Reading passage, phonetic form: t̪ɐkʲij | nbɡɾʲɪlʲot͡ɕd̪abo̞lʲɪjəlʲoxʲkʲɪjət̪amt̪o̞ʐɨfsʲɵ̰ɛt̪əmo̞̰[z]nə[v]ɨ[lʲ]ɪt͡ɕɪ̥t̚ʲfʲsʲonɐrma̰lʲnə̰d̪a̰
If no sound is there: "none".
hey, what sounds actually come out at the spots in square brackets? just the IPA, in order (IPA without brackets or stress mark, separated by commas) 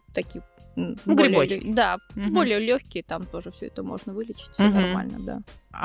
ʐ, v, lʲ